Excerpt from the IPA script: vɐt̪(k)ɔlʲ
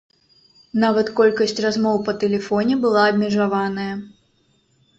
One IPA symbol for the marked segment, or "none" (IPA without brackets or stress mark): k